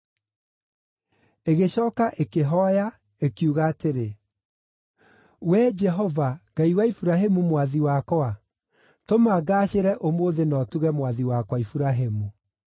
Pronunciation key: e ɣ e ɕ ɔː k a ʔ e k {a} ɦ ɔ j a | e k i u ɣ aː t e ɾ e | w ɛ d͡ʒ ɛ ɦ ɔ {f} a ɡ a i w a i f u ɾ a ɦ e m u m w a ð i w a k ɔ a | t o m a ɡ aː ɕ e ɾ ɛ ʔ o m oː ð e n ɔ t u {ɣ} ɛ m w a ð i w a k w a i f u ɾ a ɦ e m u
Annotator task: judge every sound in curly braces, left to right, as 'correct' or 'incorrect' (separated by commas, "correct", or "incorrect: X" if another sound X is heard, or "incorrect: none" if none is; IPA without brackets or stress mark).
incorrect: e, incorrect: v, correct